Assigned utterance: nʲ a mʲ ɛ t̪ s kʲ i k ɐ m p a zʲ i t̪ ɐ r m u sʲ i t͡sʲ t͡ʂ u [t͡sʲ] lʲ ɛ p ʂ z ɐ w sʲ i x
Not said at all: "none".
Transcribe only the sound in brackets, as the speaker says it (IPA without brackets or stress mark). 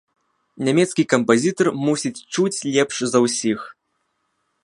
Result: t͡sʲ